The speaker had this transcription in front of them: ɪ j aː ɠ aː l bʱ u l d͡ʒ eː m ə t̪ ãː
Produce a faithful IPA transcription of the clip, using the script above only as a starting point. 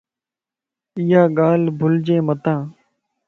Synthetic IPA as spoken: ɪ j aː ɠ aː l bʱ ʊ l d͡ʒ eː m ə t̪ ãː